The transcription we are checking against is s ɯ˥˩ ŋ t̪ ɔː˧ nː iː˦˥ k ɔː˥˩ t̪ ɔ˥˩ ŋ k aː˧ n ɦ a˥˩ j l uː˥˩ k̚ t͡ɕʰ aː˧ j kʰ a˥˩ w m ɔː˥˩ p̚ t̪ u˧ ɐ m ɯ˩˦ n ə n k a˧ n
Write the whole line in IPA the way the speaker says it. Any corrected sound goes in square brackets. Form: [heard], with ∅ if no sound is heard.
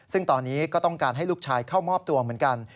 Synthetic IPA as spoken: s ɯ˥˩ ŋ t̪ ɔː˧ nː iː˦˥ k ɔː˥˩ t̪ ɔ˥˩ ŋ k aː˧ n ɦ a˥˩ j l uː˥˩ k̚ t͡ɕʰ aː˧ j kʰ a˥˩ w m ɔː˥˩ p̚ t̪ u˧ ɐ m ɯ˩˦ [∅] ə n k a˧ n